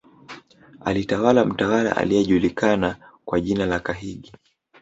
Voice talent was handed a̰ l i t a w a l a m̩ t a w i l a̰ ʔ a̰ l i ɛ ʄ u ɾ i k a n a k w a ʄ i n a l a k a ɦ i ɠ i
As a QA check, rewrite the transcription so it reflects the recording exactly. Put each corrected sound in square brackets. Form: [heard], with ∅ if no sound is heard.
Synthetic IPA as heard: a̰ l i t a w a l a m̩ t a w [a] l a̰ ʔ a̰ l i ɛ ʄ u [l] i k a n a k w a ʄ i n a l a k a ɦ i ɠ i